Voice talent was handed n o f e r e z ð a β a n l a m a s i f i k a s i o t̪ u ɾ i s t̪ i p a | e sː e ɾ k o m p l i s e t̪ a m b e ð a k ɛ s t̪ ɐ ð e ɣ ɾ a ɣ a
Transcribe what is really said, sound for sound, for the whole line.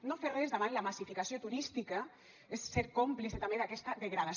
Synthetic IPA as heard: n o f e r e z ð a β a n l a m a s i f i k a s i o t̪ u ɾ i s t̪ i k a | e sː e ɾ k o m p l i s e t̪ a m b e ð a k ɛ s t̪ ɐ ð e ɣ ɾ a ð a